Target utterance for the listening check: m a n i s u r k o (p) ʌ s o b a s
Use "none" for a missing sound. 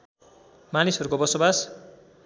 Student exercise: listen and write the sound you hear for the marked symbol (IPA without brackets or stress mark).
b